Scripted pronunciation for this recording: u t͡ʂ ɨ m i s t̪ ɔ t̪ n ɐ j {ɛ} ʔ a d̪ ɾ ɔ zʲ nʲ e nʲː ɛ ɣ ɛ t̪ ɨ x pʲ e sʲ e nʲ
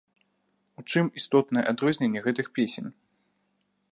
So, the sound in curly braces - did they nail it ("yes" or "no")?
yes